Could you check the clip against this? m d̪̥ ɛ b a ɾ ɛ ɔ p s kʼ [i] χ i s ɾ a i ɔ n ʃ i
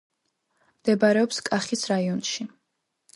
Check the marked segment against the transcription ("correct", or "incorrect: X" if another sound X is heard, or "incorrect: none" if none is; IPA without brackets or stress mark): incorrect: a